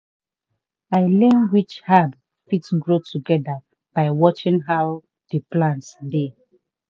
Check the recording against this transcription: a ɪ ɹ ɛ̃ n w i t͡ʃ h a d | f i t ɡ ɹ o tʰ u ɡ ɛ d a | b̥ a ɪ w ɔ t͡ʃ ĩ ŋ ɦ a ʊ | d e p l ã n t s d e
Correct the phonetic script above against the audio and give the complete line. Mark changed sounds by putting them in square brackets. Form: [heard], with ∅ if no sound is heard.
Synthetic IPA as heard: a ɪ [l] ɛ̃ n w i t͡ʃ h a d | f i t ɡ ɹ o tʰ u ɡ ɛ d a | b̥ a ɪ w ɔ t͡ʃ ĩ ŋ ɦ a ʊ | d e p l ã n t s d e